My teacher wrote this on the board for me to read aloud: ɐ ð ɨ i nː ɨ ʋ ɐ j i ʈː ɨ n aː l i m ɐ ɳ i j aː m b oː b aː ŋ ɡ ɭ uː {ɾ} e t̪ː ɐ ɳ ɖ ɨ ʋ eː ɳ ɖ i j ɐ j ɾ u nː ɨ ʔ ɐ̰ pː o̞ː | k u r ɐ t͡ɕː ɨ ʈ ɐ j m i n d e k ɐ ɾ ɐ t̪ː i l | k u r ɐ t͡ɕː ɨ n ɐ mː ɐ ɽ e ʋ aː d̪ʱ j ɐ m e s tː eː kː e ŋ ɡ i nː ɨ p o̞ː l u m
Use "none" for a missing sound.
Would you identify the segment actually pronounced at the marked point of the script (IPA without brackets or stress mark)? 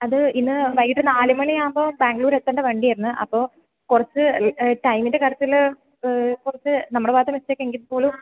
ɾ